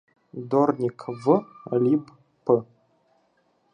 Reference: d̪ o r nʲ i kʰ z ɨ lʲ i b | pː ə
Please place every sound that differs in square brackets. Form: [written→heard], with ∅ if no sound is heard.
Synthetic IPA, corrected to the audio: d̪ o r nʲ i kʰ [z→v] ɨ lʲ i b | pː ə